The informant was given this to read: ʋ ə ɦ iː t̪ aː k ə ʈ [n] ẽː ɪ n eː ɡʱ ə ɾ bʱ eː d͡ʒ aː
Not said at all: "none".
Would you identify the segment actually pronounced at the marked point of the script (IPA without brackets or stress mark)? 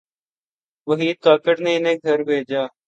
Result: n